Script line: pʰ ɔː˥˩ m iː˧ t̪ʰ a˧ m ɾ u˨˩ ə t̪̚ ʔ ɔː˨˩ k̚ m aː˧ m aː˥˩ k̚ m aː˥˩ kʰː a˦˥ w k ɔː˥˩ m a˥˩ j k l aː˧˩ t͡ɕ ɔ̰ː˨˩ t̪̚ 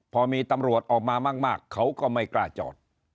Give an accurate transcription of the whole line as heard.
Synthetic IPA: pʰ ɔː˧ m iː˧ t̪ a˧ m ɾ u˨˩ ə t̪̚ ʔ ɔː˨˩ k̚ m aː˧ m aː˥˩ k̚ m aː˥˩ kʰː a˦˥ w k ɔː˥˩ m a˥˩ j k l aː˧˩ t͡ɕ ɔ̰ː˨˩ t̪̚